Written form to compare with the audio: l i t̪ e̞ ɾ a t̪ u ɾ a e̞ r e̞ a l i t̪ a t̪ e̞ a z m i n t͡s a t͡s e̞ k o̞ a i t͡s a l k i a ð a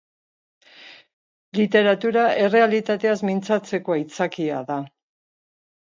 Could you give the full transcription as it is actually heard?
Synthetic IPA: l i t̪ e̞ ɾ a t̪ u ɾ a e̞ r e̞ a l i t̪ a t̪ e̞ a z m i n t͡s a t͡s e̞ k o̞ a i t͡s a k i a ð a